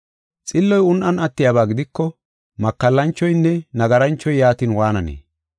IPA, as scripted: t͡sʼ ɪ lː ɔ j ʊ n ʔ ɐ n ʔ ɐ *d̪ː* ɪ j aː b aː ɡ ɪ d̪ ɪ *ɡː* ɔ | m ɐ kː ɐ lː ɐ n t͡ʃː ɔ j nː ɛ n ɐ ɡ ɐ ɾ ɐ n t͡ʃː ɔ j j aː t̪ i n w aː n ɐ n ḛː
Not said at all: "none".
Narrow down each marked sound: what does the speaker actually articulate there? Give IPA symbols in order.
t̪ː, kː

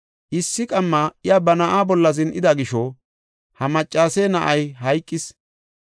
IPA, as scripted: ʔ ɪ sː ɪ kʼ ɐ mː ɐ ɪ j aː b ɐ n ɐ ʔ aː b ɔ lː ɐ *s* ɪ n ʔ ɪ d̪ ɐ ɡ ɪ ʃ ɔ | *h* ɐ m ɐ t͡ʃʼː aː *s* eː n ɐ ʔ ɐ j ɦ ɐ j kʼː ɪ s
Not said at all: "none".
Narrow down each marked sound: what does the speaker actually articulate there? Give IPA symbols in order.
z, h, s

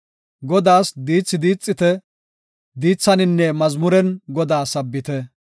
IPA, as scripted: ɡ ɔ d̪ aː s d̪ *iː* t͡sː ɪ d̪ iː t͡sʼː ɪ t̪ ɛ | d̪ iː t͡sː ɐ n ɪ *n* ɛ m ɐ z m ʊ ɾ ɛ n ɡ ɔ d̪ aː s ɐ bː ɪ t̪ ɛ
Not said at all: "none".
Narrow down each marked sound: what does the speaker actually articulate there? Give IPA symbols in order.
iː, nː

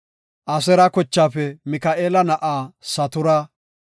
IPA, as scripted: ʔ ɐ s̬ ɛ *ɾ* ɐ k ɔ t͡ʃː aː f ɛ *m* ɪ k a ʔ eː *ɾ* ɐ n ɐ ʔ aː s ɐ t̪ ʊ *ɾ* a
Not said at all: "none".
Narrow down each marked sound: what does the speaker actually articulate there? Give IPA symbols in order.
ɾ, m, l, ɾ

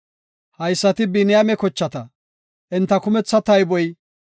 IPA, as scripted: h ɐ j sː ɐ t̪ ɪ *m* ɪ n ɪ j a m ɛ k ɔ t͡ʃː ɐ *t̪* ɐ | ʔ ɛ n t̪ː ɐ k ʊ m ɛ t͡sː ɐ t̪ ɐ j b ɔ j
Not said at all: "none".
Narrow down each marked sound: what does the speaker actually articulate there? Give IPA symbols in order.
b, t̪

